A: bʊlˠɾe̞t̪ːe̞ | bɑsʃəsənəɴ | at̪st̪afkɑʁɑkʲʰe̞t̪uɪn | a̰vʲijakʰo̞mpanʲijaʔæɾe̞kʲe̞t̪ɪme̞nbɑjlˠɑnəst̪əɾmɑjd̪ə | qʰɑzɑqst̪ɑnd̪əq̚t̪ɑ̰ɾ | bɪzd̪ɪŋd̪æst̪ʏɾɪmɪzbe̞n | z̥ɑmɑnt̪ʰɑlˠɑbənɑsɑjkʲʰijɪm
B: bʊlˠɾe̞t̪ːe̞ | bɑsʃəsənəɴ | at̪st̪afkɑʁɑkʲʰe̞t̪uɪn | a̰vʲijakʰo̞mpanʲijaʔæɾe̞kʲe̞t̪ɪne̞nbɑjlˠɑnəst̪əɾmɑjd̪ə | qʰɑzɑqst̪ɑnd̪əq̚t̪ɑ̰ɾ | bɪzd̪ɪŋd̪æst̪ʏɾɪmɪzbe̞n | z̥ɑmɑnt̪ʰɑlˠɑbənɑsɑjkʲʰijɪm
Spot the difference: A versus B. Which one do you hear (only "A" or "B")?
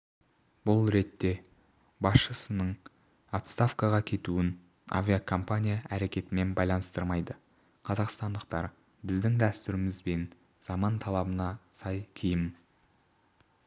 A